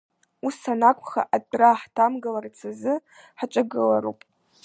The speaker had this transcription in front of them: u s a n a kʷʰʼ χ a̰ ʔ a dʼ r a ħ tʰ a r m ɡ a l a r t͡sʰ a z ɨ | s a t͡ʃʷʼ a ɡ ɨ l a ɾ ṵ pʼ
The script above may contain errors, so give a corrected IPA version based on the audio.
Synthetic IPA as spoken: u s a n a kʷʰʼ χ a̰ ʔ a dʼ r a ħ tʰ a m ɡ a l a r t͡sʰ a z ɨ | ħ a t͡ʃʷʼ a ɡ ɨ l a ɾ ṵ pʼ